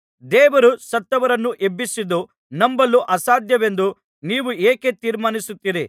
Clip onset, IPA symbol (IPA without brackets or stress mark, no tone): d̪